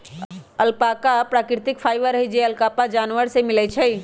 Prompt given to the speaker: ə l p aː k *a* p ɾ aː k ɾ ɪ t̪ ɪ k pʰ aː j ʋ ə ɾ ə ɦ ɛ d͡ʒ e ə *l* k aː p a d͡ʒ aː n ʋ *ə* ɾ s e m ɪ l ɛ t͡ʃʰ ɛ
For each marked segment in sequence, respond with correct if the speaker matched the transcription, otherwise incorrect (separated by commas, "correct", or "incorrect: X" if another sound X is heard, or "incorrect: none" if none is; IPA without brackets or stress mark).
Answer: correct, correct, correct